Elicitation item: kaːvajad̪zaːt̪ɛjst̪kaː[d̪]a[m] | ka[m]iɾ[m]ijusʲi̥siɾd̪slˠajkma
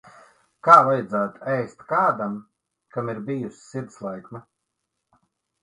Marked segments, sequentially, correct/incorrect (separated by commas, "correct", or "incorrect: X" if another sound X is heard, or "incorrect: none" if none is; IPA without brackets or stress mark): correct, correct, correct, incorrect: b